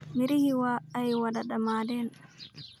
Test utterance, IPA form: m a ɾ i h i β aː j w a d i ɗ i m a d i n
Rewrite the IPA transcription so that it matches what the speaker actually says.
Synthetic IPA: m i ɾ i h i w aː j w a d a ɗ a m a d ɛ n